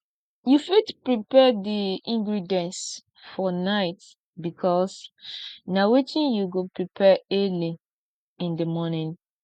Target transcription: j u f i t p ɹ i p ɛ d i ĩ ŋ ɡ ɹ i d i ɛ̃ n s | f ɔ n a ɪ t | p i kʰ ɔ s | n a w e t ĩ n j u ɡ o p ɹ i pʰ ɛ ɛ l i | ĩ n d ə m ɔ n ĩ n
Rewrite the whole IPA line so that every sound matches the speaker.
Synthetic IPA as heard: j u f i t p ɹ i p ɛ d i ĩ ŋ ɡ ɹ i d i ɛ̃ n s | f ɔ n a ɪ t | b i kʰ ɔ s | n a w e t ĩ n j u ɡ o p ɹ i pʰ ɛ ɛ l i | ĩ n d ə m ɔ n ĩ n